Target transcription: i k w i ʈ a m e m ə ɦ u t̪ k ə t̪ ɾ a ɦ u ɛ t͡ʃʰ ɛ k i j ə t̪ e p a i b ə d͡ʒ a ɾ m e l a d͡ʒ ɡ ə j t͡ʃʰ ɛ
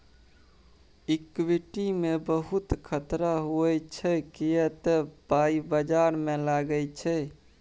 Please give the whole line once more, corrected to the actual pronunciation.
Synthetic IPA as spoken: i k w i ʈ i m e b ə ɦ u t̪ kʰ ə t̪ ɾ a ɦ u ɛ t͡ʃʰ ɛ k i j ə t̪ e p a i b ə d͡ʒ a ɾ m e l a ɡ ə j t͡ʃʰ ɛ